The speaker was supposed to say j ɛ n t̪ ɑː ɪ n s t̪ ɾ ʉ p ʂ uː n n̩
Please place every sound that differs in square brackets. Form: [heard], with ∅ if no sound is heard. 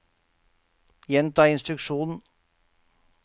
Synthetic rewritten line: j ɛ n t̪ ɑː ɪ n s t̪ ɾ ʉ [k] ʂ uː n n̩